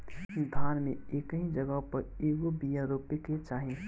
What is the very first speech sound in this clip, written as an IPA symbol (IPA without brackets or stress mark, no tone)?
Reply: d̪ʱ